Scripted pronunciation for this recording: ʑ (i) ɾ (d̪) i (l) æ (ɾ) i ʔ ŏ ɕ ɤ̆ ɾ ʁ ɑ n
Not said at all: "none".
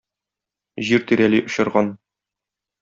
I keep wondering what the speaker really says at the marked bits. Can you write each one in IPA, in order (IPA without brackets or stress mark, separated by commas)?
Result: i, t̪, ɾ, l